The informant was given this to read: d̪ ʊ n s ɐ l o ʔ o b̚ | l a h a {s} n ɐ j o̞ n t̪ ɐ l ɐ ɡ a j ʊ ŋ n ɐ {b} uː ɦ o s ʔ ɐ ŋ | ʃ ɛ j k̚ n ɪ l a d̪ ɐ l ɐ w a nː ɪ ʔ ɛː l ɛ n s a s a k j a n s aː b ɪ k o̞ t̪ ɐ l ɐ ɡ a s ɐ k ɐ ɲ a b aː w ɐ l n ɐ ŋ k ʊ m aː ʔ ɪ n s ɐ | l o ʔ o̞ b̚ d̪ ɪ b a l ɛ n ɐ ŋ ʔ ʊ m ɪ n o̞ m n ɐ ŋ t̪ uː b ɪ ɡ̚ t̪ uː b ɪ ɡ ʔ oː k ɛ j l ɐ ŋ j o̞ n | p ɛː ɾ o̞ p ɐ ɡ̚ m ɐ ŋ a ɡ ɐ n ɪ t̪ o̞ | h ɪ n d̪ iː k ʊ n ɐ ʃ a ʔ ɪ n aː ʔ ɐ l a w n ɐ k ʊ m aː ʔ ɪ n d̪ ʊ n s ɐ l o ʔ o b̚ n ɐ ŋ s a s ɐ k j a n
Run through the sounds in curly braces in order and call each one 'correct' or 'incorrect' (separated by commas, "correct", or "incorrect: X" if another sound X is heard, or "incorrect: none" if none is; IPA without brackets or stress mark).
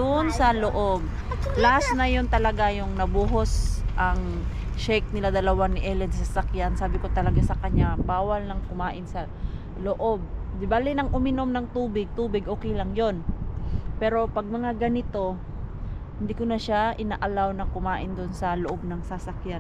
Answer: correct, correct